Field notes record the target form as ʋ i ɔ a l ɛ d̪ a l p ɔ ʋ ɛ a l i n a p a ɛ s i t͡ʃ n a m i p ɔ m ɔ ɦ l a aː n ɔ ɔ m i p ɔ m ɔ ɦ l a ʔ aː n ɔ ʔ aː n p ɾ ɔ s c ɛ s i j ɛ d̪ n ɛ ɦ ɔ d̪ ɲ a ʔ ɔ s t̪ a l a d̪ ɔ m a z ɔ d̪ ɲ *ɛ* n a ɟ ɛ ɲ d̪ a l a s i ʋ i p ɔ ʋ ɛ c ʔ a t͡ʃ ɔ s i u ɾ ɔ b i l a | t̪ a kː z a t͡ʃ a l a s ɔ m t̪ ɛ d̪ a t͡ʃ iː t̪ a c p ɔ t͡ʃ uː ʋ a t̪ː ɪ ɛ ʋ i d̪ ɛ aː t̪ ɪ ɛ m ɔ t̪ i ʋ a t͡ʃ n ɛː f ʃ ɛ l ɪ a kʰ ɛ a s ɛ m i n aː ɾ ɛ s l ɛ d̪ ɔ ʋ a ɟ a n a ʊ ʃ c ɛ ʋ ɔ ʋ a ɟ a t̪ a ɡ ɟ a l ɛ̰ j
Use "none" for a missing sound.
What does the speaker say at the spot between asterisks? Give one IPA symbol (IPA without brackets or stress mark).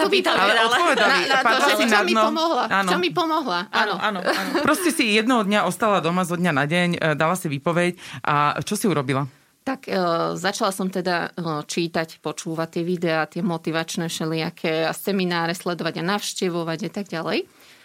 a